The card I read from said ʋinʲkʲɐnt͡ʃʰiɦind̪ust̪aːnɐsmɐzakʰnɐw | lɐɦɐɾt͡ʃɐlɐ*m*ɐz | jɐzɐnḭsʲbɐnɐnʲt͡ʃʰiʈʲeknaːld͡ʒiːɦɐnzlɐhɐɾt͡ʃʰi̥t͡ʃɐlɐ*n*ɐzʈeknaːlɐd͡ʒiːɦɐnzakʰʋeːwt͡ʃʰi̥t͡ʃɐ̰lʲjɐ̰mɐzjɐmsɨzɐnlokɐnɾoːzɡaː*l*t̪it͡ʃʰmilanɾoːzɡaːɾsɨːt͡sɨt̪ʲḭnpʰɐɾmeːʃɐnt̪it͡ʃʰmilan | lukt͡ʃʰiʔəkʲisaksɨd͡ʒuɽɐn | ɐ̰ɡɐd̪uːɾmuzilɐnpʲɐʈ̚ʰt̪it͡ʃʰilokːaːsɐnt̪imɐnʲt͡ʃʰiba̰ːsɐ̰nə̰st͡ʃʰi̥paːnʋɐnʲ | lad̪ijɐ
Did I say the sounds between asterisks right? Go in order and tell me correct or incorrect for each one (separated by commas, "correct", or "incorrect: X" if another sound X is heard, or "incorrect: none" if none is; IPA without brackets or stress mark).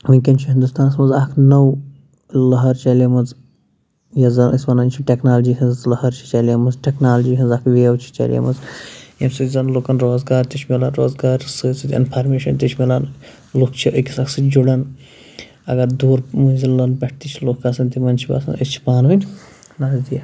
correct, incorrect: m, incorrect: ɾ